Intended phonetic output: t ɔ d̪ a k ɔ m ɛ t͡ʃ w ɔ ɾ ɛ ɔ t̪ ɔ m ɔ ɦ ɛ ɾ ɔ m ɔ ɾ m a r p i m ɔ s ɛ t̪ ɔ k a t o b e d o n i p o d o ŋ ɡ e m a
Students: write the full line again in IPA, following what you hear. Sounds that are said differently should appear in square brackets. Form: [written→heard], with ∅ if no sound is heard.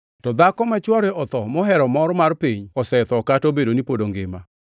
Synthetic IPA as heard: t ɔ d̪ a k ɔ m ɛ t͡ʃ w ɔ ɾ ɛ ɔ t̪ ɔ m ɔ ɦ ɛ ɾ ɔ m ɔ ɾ m a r p i [m→ɲ] ɔ s ɛ t̪ ɔ k a t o b e d o n i p o d o ŋ ɡ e m a